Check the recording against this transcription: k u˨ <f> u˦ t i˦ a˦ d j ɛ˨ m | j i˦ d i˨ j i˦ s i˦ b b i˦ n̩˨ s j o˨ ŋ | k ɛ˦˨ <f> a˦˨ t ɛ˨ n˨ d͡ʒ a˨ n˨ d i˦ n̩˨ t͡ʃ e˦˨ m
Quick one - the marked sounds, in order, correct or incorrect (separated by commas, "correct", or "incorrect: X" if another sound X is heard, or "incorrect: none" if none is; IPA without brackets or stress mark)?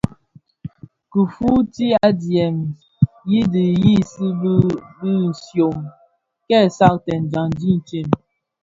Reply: correct, incorrect: s